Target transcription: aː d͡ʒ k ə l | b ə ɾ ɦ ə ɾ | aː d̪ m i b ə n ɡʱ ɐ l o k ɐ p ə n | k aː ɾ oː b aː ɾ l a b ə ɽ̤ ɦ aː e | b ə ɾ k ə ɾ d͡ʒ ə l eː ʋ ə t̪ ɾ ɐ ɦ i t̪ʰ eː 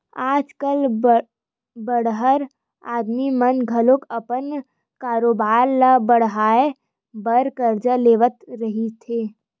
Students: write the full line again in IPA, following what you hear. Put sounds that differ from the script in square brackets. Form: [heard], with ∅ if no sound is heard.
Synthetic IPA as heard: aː d͡ʒ k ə l | b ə [ɽ] ɦ ə ɾ | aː d̪ m i [m] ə n ɡʱ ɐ l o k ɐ p ə n | k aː ɾ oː b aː ɾ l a b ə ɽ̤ ɦ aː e | b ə ɾ k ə ɾ d͡ʒ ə l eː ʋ ə t̪ ɾ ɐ ɦ i t̪ʰ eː